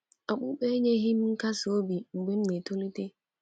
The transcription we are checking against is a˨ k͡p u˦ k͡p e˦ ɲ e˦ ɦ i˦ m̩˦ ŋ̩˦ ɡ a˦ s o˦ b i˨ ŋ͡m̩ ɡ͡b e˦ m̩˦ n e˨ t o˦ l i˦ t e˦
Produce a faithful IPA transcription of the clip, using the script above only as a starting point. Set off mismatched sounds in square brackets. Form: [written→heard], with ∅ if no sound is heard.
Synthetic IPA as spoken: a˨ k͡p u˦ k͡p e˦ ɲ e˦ ɦ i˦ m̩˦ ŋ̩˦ [ɡ→k] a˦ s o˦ b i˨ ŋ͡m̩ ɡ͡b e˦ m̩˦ n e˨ t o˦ l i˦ t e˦